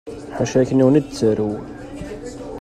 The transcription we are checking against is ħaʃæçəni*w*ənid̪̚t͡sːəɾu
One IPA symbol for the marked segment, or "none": w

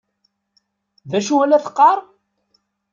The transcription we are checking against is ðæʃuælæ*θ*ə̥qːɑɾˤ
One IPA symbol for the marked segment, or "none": θ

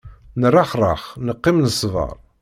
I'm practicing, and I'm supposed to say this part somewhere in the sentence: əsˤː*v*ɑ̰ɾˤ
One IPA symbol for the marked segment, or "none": v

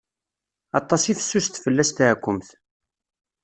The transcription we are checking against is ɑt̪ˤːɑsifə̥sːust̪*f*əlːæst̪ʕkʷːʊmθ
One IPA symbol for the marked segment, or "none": f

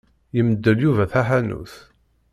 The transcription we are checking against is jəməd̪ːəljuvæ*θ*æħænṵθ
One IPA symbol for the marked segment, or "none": θ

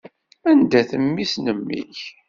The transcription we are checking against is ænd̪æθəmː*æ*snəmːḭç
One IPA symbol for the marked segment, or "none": i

